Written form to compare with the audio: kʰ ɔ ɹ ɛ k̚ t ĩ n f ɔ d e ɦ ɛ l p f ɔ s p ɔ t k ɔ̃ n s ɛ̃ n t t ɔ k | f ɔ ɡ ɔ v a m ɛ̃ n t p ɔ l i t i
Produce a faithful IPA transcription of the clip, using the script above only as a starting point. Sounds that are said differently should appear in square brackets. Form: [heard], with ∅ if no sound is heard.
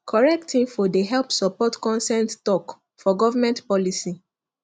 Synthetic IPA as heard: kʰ ɔ ɹ ɛ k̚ t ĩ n f ɔ d e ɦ ɛ l p [s] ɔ [∅] p ɔ t k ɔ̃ n s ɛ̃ n t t ɔ k | f ɔ ɡ ɔ v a m ɛ̃ n t p ɔ l i [s] i